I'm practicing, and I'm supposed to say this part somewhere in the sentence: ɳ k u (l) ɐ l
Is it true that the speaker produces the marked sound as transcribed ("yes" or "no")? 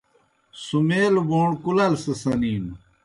yes